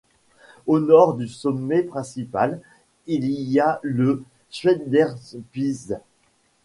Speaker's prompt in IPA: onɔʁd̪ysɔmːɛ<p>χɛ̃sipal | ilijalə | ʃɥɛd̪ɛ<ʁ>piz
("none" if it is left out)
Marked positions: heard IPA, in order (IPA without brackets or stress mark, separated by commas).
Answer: p, ʁ